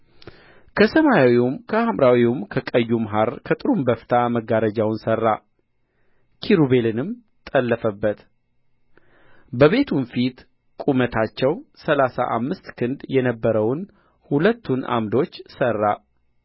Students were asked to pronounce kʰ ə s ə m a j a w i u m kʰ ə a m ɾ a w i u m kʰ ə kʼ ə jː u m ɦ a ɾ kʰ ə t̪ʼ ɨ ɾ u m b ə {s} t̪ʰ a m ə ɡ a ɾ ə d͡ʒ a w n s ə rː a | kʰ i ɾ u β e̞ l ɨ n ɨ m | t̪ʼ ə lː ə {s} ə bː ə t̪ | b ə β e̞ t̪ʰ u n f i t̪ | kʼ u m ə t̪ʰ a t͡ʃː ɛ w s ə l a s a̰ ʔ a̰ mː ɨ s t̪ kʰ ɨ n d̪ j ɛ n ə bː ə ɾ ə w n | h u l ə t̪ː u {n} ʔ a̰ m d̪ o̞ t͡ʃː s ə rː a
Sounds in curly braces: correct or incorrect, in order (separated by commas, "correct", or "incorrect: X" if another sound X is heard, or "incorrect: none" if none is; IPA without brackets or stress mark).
incorrect: f, incorrect: f, correct